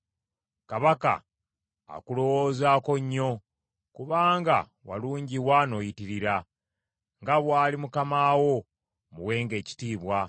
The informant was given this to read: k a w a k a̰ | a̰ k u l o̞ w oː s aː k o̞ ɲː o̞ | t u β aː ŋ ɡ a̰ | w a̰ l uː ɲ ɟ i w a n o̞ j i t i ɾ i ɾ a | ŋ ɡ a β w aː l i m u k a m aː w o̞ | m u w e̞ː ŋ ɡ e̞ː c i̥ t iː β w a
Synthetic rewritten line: k a β a k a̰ | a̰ k u l o̞ w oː z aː k o̞ ɲː o̞ | k u β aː ŋ ɡ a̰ | w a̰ l uː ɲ ɟ i w a n o̞ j i t i ɾ i ɾ a | ŋ ɡ a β w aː l i m u k a m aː w o̞ | m u w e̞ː ŋ ɡ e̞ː c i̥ t iː β w a